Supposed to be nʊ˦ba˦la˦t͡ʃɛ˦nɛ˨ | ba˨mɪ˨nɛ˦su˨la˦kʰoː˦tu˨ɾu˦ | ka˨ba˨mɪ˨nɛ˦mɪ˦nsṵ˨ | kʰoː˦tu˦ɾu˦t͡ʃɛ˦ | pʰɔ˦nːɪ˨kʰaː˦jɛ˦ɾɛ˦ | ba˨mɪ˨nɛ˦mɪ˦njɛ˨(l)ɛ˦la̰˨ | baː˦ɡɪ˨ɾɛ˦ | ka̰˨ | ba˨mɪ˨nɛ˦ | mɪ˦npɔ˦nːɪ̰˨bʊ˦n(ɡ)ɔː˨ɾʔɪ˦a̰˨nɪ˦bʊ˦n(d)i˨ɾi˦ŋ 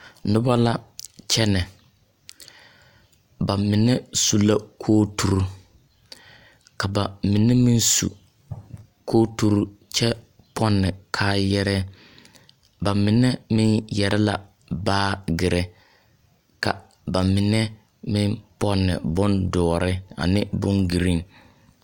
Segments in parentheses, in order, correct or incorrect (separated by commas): incorrect, incorrect, incorrect